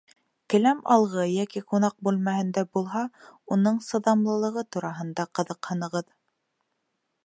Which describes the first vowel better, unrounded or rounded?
unrounded